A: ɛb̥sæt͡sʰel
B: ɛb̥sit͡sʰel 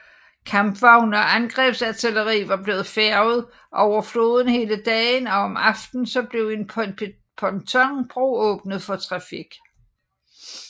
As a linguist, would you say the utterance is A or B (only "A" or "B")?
A